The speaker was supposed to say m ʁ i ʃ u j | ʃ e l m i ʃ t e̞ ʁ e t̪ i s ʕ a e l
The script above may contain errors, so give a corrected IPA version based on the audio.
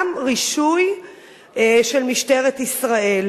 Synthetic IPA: m ʁ i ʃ u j | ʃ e l m i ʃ t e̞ ʁ e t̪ i s ʁ a e l